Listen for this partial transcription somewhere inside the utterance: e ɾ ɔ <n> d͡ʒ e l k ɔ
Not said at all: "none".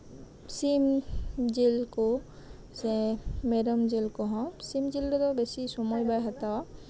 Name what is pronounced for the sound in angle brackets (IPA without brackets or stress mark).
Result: m